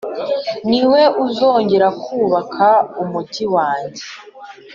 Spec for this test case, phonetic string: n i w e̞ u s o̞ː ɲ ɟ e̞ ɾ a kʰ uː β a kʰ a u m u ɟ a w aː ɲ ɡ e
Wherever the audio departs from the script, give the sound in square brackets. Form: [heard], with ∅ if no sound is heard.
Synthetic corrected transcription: n i w e̞ u [z] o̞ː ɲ ɟ e̞ ɾ a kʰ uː β a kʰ a u m u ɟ [i] w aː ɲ [ɟ] e